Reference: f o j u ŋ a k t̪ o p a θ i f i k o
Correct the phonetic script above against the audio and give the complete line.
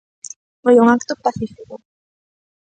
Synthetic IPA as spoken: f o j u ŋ a k t̪ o p a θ i f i k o